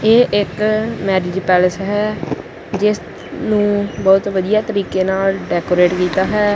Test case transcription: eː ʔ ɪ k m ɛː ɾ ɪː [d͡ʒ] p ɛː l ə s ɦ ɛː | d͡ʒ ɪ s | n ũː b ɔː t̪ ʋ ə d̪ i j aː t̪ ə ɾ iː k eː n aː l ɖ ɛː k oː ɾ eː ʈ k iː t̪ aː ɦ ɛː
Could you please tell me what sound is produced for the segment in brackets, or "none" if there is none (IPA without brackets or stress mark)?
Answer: d͡ʒ